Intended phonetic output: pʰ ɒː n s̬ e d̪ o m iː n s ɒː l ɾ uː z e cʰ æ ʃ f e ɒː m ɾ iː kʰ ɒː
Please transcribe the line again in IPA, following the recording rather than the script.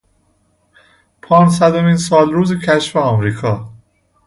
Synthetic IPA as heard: pʰ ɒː n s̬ æ d̪ o m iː n s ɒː l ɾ uː z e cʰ æ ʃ f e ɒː m ɾ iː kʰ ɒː